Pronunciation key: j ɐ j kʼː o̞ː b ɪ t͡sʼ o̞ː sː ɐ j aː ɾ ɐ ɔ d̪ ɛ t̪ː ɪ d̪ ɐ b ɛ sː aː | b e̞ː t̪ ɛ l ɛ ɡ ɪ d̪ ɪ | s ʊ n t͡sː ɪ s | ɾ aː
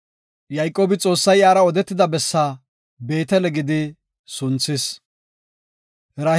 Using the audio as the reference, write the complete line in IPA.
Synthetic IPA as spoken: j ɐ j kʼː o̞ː b ɪ t͡sʼ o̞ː sː ɐ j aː ɾ ɐ ɔ d̪ ɛ t̪ː ɪ d̪ ɐ b ɛ sː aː | b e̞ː t̪ ɛ l ɛ ɡ ɪ d̪ ɪ | s ʊ n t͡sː ɪ s | ɾ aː

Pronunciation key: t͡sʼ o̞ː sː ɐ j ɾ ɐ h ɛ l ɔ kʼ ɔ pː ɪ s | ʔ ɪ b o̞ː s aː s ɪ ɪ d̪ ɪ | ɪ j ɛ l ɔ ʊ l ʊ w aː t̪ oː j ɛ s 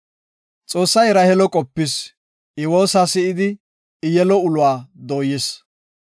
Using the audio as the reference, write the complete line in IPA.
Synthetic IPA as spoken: t͡sʼ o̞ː sː ɐ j ɾ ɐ h ɛ l ɔ kʼ ɔ pː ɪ s | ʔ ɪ w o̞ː s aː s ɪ ɪ d̪ ɪ | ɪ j ɛ l ɔ ʊ l ʊ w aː d̪ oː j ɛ s

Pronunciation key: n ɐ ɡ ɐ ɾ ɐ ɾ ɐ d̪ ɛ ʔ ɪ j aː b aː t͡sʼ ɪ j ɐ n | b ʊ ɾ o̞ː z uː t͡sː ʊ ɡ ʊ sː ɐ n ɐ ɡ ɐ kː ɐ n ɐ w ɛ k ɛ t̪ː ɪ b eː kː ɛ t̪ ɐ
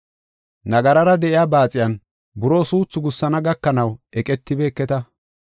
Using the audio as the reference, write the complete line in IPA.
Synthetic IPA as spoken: n ɐ ɡ ɐ ɾ ɐ ɾ ɐ d̪ ɛ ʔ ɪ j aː b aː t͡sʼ ɪ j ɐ n | b ʊ ɾ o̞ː s uː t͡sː ʊ ɡ ʊ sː ɐ n ɐ ɡ ɐ kː ɐ n ɐ w ɛ kʼ ɛ t̪ː ɪ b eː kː ɛ t̪ ɐ

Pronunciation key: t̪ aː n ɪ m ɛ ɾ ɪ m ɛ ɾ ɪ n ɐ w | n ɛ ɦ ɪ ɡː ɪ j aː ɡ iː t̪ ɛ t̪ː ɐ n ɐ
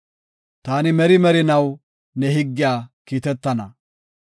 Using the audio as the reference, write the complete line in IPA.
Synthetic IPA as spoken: t̪ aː n ɪ m ɛ ɾ ɪ m ɛ ɾ ɪ n ɐ w | n ɛ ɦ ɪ ɡː ɪ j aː k iː t̪ ɛ t̪ː ɐ n ɐ

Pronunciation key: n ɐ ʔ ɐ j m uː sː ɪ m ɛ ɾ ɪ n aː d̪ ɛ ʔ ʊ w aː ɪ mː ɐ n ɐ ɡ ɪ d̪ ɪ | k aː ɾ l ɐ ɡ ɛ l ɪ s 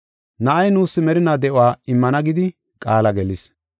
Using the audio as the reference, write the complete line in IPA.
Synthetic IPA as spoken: n ɐ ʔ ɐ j n uː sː ɪ m ɛ ɾ ɪ n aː d̪ ɛ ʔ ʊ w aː ɪ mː ɐ n ɐ ɡ ɪ d̪ ɪ | kʼ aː l ɐ ɡ ɛ l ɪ s

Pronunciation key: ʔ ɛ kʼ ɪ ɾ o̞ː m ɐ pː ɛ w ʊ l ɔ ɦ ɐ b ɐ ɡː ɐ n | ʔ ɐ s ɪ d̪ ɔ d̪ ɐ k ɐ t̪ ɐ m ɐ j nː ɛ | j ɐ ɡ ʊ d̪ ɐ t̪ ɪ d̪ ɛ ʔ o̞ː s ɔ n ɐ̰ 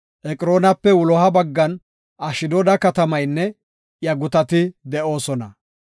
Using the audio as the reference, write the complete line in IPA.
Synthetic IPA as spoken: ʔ ɛ kʼ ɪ ɾ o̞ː n ɐ pː ɛ w ʊ l ɔ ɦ ɐ b ɐ ɡː ɐ n | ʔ ɐ ʃ ɪ d̪ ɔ d̪ ɐ k ɐ t̪ ɐ m ɐ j nː ɛ | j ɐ ɡ ʊ t̪ ɐ t̪ ɪ d̪ ɛ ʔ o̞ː s ɔ n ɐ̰

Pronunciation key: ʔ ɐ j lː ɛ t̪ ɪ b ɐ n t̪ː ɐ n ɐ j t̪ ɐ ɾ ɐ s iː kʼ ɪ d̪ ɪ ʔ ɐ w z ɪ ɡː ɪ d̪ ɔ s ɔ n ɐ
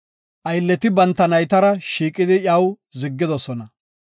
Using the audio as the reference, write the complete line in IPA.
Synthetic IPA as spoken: ʔ ɐ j lː ɛ t̪ ɪ b ɐ n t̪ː ɐ n ɐ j t̪ ɐ ɾ ɐ ʃ iː kʼ ɪ d̪ ɪ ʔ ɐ w z ɪ ɡː ɪ d̪ ɔ s ɔ n ɐ

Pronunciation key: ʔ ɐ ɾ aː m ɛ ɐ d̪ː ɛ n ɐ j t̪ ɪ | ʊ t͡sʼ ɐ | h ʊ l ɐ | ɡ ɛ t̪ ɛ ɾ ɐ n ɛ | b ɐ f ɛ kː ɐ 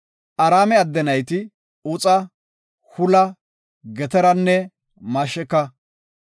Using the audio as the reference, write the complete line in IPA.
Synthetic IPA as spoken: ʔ ɐ ɾ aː m ɛ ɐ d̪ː ɛ n ɐ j t̪ ɪ | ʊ t͡sʼ ɐ | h ʊ l ɐ | ɡ ɛ t̪ ɛ ɾ ɐ nː ɛ | m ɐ ʃ ɛ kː ɐ

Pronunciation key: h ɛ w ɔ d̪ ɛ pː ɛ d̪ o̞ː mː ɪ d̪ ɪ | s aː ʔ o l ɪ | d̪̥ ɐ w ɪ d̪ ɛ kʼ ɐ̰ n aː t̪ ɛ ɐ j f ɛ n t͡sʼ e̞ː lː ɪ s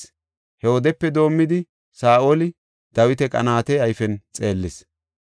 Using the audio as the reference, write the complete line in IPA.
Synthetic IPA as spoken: h ɛ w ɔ d̪ ɛ pː ɛ d̪ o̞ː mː ɪ d̪ ɪ | s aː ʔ o l ɪ | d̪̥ ɐ w ɪ t̪ ɛ kʼ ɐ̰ n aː t̪ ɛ ɐ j f ɛ n t͡sʼ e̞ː lː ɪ s

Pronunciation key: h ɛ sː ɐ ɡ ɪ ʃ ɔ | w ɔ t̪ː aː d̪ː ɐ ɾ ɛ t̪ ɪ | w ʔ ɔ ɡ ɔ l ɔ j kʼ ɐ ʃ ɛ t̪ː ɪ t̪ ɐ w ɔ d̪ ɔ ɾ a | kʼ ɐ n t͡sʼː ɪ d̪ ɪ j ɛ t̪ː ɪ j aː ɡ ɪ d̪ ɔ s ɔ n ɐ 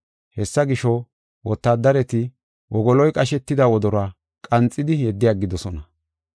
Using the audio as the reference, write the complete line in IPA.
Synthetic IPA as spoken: h ɛ sː ɐ ɡ ɪ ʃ ɔ | w ɔ t̪ː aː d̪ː ɐ ɾ ɛ t̪ ɪ | w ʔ ɔ ɡ ɔ l ɔ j kʼ ɐ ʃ ɛ t̪ː ɪ d̪ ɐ w ɔ d̪ ɔ ɾ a | kʼ ɐ n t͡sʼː ɪ d̪ ɪ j ɛ d̪ː ɪ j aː ɡ ɪ d̪ ɔ s ɔ n ɐ

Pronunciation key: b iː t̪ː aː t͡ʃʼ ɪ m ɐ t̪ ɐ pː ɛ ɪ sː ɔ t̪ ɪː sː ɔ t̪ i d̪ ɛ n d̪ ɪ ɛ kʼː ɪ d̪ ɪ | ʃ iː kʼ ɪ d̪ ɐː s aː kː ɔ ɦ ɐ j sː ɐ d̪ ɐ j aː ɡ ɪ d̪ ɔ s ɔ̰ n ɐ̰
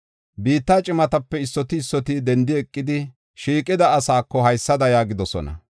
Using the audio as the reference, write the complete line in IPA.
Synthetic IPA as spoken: b iː t̪ː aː t͡ʃʼ ɪ m ɐ t̪ ɐ pː ɛ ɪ sː ɔ t̪ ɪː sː ɔ t̪ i d̪ ɛ n d̪ ɪ ɛ kʼː ɪ d̪ ɪ | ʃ iː kʼ ɪ d̪ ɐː s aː kː ɔ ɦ ɐ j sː ɐ d̪ ɐ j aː ɡ ɪ d̪ ɔ s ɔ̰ n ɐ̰

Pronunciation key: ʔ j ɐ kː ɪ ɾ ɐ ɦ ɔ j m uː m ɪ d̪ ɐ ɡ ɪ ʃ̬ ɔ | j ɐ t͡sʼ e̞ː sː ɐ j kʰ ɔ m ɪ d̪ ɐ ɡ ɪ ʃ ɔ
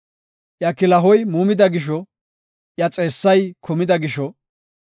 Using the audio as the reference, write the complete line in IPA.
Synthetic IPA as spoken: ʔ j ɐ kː ɪ l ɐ ɦ ɔ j m uː m ɪ d̪ ɐ ɡ ɪ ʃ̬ ɔ | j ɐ t͡sʼ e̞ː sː ɐ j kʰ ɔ m ɪ d̪ ɐ ɡ ɪ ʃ ɔ

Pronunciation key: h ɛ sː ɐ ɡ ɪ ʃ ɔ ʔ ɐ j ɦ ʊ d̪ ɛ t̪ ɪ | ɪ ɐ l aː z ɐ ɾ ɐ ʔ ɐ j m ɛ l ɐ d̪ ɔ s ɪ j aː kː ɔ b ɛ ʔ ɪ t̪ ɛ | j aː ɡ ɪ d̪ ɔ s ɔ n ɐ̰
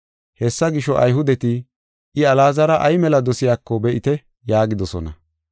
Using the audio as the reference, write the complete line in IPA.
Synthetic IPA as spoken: h ɛ sː ɐ ɡ ɪ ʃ ɔ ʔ ɐ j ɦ ʊ d̪ ɛ t̪ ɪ | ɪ ɐ l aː z ɐ ɾ ɐ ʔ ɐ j m ɛ l ɐ d̪ ɔ s ɪ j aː kː ɔ b ɛ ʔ ɪ t̪ ɛ | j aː ɡ ɪ d̪ ɔ s ɔ n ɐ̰

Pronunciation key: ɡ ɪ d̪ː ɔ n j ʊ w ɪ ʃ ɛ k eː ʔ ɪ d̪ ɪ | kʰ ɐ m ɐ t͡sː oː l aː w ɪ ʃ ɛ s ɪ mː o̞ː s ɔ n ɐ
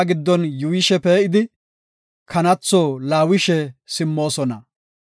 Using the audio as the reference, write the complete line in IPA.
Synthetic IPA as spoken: ɡ ɪ d̪ː ɔ n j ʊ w ɪ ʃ ɛ p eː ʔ ɪ d̪ ɪ | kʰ ɐ n ɐ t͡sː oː l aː w ɪ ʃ ɛ s ɪ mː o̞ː s ɔ n ɐ

